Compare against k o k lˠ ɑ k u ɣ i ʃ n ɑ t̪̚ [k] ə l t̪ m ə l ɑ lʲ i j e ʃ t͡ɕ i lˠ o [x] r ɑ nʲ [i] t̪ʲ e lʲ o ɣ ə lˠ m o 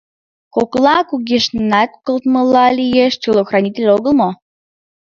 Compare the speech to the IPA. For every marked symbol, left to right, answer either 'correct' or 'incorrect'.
correct, correct, correct

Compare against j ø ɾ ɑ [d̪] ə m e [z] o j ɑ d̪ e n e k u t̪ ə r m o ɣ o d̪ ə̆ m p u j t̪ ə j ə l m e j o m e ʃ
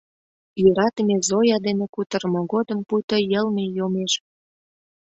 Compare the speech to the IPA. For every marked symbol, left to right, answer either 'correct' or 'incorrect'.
incorrect, correct

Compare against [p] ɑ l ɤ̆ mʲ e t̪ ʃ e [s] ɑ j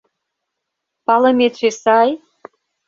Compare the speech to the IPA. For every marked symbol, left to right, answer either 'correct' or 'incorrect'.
correct, correct

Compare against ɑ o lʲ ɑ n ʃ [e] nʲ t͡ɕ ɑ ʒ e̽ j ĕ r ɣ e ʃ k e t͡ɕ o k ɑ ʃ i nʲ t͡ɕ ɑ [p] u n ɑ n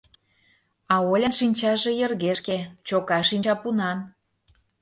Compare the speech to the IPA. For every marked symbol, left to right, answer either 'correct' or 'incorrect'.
incorrect, correct

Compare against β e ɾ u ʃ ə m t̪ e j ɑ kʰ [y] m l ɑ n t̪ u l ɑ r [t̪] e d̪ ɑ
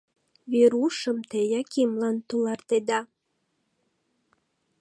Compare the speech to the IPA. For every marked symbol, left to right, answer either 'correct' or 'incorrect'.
incorrect, correct

